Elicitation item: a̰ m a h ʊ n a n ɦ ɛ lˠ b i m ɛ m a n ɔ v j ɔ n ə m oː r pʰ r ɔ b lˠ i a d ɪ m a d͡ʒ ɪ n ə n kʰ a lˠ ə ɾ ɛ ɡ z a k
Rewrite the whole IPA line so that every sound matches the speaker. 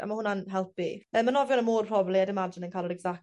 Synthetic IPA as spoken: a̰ m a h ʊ n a n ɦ ɛ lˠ p i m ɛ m a n ɔ v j ɔ n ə m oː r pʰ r ɔ b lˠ i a d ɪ m a d͡ʒ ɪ n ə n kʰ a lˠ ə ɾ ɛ ɡ z a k